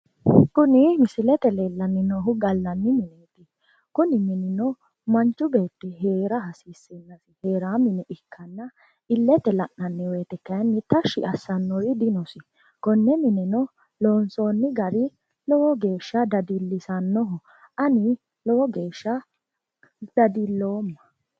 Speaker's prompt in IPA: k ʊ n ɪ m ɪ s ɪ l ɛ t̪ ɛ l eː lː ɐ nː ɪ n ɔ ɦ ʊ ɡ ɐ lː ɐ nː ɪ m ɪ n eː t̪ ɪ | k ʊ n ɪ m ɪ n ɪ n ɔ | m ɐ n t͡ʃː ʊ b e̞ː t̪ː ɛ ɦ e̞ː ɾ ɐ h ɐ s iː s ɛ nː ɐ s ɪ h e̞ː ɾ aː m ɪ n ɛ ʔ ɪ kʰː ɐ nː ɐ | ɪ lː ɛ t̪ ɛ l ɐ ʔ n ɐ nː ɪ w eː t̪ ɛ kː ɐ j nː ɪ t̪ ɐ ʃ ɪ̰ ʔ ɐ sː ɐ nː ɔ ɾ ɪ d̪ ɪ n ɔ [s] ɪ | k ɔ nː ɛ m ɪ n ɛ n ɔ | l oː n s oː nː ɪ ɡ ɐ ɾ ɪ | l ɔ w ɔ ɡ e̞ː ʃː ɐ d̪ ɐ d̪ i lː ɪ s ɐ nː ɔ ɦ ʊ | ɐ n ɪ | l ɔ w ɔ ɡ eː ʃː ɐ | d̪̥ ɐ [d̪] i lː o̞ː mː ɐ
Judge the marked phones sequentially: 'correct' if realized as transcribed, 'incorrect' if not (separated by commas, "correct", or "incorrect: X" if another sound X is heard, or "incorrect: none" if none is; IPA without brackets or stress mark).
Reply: correct, correct